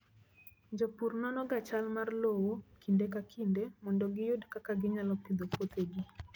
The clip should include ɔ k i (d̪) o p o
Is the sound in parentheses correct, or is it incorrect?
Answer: correct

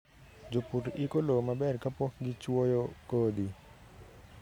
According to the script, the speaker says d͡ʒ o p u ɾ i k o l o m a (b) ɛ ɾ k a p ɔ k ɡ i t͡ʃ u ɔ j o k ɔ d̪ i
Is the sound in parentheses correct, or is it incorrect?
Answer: correct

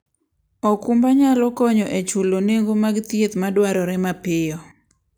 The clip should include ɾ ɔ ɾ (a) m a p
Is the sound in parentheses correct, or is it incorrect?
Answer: incorrect: ɛ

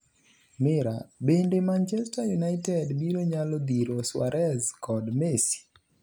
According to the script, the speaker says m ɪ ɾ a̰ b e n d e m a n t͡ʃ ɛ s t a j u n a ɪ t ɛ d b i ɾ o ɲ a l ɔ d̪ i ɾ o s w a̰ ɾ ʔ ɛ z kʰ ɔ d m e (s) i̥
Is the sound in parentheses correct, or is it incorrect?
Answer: correct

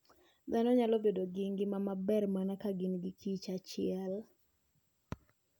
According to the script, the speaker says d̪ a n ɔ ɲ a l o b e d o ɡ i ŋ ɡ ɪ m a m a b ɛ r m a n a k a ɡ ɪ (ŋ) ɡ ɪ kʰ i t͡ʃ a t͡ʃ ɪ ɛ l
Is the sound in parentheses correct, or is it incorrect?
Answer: incorrect: n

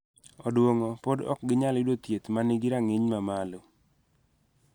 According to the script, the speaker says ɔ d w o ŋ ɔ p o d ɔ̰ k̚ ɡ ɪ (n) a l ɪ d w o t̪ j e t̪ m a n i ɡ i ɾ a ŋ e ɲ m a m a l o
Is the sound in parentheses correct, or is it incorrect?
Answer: incorrect: ɲ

